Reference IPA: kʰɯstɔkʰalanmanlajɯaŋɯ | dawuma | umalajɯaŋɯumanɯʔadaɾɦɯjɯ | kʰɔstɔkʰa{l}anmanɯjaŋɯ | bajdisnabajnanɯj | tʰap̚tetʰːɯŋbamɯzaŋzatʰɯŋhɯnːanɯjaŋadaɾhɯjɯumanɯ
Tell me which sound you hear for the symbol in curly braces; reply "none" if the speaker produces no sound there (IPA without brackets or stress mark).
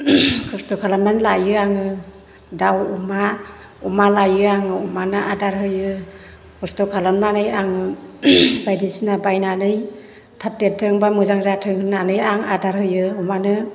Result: l